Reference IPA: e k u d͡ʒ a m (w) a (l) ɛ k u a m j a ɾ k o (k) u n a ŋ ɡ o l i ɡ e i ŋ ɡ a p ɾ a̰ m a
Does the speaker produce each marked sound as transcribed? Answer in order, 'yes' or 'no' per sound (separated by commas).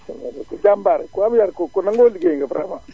no, no, yes